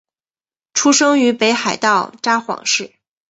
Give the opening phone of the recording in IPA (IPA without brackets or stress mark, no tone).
ʈ͡ʂʰ